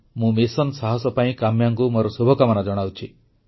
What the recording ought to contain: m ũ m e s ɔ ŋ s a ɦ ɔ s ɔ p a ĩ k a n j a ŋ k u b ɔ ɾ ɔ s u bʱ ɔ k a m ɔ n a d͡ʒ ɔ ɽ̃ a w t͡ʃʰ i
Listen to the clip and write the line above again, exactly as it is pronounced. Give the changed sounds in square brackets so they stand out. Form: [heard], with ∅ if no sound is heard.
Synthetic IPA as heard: m ũ m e s ɔ [n] s a ɦ ɔ s ɔ p a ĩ k a [m] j a ŋ k u [m] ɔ ɾ ɔ s u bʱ ɔ k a m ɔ n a d͡ʒ ɔ ɽ̃ a w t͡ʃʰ i